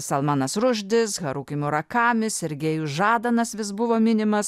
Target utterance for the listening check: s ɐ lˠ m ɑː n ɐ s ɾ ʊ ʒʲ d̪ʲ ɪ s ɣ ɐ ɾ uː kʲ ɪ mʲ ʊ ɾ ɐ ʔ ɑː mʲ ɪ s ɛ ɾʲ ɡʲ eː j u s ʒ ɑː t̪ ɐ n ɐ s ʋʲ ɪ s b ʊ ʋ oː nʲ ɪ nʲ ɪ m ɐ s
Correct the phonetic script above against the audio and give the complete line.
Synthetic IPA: s ɐ lˠ m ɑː n ɐ s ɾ ʊ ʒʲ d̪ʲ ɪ s ɣ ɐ ɾ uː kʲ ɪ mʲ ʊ ɾ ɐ k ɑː mʲ ɪ s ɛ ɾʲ ɡʲ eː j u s ʒ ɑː d̪ ɐ n ɐ s ʋʲ ɪ s b ʊ ʋ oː mʲ ɪ nʲ ɪ m ɐ s